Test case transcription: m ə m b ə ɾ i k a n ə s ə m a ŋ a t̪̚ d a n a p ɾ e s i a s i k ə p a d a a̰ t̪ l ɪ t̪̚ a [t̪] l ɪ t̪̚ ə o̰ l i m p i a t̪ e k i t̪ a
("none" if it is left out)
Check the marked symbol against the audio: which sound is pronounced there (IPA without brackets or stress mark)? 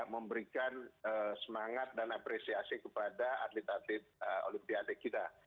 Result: t̪